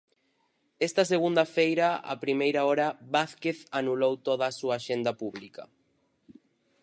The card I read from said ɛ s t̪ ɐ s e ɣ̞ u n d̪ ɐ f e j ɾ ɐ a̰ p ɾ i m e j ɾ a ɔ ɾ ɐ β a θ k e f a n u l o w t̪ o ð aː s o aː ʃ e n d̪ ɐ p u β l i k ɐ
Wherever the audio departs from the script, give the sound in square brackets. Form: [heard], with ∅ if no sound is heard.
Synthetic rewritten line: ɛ s t̪ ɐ s e ɣ̞ u n d̪ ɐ f e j ɾ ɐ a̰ p ɾ i m e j ɾ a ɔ ɾ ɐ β a θ k e [θ] a n u l o w t̪ o ð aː s [u] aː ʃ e n d̪ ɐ p u β l i k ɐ